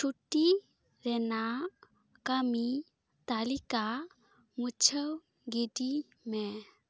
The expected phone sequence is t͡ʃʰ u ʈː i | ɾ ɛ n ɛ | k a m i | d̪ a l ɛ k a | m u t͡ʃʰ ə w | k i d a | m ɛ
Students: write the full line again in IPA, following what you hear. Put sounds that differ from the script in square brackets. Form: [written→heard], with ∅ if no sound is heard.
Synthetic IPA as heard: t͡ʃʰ u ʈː i | ɾ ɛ n [ɛ→a] | k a m i | [d̪→t̪] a l [ɛ→i] k a | m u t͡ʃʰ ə w | [k→ɡ] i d [a→i] | m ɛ